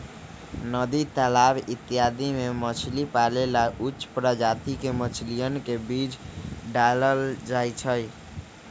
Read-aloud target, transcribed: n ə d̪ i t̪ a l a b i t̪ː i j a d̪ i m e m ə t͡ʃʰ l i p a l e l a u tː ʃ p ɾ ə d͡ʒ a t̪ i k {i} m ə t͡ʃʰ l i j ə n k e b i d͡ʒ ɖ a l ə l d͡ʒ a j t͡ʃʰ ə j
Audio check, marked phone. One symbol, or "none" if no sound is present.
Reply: e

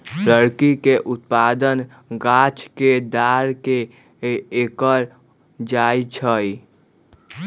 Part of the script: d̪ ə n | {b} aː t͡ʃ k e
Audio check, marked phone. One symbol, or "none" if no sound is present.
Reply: ɡ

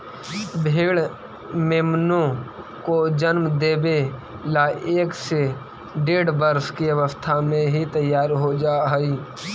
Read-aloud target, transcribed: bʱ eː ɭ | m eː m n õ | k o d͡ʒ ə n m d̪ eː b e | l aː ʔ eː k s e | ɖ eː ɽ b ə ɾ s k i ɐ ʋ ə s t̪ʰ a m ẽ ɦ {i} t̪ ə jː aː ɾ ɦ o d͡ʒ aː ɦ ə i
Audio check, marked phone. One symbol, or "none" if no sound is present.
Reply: i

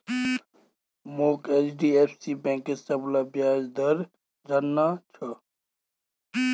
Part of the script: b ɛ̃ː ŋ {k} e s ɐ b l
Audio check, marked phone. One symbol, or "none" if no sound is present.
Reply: k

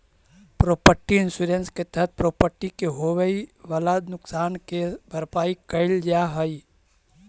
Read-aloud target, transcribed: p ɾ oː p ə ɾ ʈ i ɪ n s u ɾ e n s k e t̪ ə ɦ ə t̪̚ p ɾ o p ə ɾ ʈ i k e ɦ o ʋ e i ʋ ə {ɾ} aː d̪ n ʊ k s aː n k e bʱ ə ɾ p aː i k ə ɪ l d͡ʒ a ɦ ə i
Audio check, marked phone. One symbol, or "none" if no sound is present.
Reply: l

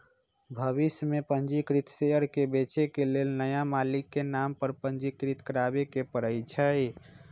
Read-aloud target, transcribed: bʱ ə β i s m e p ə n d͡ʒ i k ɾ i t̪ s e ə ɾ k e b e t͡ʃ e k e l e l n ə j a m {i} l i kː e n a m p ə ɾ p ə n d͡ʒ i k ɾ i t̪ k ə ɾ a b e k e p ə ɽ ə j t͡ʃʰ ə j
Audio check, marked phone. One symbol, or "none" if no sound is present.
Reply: a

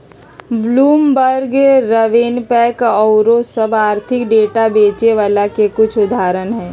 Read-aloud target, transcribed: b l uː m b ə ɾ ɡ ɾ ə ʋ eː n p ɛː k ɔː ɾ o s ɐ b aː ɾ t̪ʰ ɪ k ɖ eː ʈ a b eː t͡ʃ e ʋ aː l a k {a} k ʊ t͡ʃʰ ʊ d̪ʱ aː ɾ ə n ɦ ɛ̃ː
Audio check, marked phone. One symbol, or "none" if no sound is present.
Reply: e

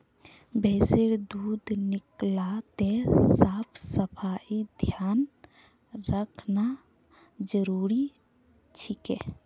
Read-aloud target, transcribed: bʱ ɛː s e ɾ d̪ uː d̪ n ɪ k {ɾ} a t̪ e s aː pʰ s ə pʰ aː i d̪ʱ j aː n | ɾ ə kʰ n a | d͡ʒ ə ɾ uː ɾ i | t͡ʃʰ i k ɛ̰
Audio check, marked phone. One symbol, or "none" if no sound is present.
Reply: l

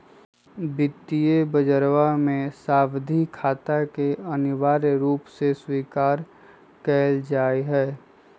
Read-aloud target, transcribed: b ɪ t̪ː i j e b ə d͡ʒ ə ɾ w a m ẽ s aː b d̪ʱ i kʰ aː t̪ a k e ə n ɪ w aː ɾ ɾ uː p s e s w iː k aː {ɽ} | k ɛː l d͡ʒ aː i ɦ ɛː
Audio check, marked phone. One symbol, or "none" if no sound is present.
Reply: ɾ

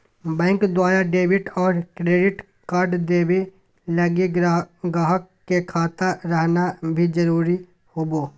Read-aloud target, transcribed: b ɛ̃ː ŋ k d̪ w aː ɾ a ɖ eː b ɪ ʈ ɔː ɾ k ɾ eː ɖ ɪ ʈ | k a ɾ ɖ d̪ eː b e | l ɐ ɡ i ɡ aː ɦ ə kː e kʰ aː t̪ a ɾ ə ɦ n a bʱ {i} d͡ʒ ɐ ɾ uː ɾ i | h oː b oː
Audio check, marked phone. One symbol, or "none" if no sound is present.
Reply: i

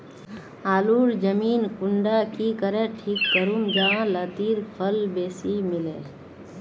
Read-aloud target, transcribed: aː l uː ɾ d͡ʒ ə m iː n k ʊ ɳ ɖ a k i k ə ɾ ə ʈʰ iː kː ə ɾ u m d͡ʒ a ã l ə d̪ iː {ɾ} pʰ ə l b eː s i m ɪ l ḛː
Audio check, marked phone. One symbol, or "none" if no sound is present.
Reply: ɾ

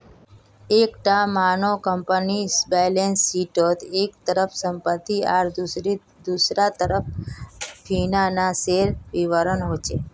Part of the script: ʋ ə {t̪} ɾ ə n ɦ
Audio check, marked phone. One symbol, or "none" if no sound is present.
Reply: none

